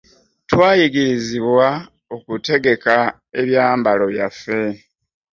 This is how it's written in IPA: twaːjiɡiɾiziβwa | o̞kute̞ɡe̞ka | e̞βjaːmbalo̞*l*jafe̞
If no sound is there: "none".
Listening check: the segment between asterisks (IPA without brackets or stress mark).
none